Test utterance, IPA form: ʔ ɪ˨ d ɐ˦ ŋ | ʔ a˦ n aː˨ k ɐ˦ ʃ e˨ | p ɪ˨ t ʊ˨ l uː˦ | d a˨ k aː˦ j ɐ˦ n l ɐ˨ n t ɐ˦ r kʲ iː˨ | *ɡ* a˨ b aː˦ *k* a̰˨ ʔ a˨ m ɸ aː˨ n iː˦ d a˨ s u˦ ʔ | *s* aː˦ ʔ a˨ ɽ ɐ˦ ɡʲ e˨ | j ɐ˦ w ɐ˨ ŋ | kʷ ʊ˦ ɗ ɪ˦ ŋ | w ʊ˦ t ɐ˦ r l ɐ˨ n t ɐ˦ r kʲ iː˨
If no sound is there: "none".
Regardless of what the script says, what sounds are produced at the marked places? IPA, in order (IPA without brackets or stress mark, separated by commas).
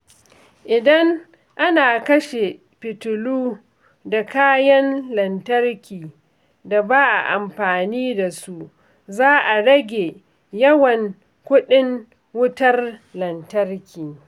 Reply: d, ʔ, z